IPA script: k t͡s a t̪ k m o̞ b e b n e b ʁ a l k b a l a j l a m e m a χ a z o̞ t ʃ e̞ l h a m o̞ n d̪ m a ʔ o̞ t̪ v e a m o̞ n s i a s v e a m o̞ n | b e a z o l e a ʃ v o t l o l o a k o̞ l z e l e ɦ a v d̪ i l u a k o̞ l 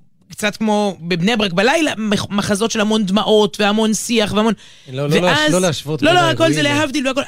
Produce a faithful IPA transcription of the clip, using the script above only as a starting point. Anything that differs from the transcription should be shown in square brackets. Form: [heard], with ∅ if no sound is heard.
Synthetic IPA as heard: k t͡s a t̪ k m o̞ b e b n e b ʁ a [∅] k b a l a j l a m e m a χ a z o̞ t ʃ e̞ l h a m o̞ n d̪ m a ʔ o̞ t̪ v e a m o̞ n s i a [χ] v e a m o̞ n | [v] e a z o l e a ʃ v o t l o l o a k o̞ l z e l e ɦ a v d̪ i l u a k o̞ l